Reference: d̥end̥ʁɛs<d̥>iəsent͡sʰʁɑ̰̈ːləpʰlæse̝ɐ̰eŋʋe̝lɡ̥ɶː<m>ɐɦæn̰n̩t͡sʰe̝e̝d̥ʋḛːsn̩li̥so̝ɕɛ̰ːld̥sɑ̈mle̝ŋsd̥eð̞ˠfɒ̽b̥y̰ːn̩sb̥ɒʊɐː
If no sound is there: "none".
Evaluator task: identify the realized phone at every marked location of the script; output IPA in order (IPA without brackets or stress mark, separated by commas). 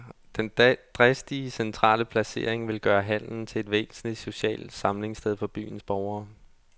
d̥, none